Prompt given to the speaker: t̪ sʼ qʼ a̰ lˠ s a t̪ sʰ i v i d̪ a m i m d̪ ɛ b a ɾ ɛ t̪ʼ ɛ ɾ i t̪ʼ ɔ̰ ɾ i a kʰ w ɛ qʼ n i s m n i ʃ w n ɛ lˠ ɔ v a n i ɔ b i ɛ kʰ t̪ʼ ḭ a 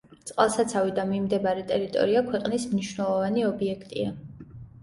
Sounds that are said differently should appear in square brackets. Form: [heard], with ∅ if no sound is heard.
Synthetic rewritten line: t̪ sʼ qʼ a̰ lˠ s a t̪ sʰ [a] v i d̪ a m i m d̪ ɛ b a ɾ ɛ t̪ʼ ɛ ɾ i t̪ʼ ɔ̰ ɾ i a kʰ w ɛ qʼ n i s m n i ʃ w n ɛ lˠ ɔ v a n i ɔ b i ɛ kʰ t̪ʼ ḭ a